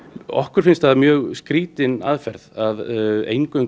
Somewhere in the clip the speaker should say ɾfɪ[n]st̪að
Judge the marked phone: correct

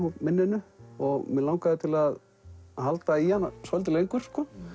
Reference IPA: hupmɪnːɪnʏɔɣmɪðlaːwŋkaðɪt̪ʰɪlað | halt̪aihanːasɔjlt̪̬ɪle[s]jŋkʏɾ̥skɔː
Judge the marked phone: incorrect: none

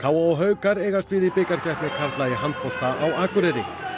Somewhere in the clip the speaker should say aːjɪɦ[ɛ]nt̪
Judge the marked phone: incorrect: a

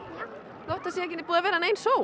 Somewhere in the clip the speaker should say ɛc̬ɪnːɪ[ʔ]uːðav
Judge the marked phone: incorrect: p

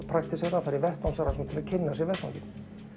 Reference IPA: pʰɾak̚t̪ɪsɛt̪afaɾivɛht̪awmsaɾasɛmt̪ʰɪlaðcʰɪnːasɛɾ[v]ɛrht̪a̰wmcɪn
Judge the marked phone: correct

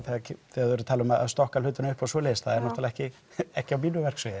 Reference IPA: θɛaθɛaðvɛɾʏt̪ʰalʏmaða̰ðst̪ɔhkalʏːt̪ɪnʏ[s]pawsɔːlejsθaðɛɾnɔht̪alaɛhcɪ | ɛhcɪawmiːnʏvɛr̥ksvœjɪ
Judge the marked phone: incorrect: h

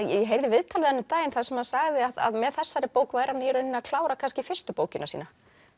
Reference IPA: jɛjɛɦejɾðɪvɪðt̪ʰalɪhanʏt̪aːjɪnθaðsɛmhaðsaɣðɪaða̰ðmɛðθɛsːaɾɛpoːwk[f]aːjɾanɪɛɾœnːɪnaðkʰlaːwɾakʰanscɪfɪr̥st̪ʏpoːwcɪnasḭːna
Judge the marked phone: incorrect: v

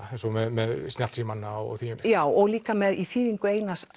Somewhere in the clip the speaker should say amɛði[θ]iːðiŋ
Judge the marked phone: correct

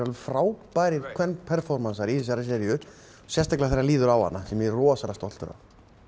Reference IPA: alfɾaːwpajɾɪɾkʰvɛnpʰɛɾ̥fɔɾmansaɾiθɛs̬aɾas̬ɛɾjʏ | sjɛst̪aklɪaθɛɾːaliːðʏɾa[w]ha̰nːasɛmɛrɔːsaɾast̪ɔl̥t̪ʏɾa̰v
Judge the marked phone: correct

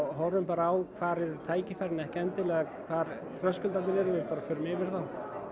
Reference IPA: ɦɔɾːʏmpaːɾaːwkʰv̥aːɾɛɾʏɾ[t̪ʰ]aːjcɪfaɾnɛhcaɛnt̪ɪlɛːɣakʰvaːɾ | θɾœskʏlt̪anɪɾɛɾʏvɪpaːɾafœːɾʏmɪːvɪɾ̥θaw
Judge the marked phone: correct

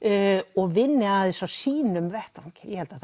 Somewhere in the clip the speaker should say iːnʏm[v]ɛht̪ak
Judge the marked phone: correct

